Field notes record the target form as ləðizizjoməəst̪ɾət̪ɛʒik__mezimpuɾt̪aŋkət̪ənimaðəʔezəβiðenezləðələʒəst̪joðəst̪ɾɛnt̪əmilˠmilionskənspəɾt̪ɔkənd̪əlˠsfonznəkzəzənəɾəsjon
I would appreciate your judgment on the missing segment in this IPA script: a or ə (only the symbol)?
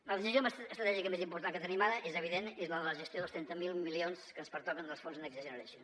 ə